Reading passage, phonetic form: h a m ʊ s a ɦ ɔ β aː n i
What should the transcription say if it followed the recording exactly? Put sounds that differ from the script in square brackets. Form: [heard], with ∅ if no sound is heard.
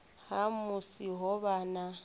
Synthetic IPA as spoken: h a m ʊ s [i] ɦ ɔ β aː n [a]